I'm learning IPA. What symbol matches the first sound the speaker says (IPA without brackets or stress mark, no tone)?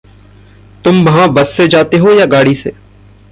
t̪